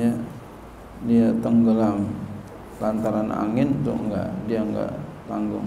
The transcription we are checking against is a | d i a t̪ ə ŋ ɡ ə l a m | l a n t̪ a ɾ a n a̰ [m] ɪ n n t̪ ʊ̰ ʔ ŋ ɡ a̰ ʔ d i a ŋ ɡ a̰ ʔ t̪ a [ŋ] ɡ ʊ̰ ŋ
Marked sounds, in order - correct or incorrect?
incorrect, correct

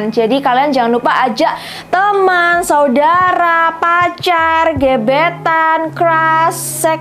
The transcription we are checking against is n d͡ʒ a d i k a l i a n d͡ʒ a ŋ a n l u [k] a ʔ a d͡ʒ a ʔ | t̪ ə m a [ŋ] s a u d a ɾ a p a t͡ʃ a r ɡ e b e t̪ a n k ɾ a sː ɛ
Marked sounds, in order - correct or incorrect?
incorrect, incorrect

